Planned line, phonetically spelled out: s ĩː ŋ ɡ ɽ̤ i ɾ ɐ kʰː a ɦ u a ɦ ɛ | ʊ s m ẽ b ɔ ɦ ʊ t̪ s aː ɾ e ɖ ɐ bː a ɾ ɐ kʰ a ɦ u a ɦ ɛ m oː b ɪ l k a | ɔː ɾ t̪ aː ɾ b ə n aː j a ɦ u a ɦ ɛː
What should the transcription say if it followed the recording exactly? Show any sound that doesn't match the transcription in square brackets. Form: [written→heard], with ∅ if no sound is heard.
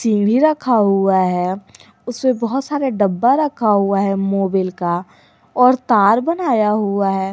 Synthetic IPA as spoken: s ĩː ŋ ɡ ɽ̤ i ɾ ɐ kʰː a ɦ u a ɦ ɛ | ʊ s m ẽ b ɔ ɦ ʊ t̪ s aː ɾ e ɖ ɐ bː a ɾ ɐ kʰ a ɦ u a ɦ ɛ m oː b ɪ l k a | ɔː ɾ t̪ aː ɾ b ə n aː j a ɦ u a ɦ ɛː